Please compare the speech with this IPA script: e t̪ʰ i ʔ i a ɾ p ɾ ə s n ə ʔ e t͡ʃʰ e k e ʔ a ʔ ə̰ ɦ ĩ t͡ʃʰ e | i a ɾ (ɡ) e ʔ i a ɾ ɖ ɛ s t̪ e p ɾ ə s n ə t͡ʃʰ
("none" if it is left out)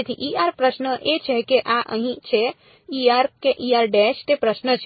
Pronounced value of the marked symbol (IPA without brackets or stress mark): k